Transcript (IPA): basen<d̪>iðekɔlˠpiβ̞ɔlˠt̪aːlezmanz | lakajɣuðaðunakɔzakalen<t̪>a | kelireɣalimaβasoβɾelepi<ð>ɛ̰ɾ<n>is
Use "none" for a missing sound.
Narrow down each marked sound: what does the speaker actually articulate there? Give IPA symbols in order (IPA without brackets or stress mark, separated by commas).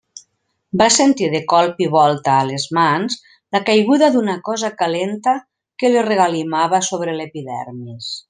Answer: t̪, t̪, ð, m